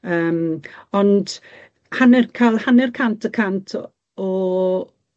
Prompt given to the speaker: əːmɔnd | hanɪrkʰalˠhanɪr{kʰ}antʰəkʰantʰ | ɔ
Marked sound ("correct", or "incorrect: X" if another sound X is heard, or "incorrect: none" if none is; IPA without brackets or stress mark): correct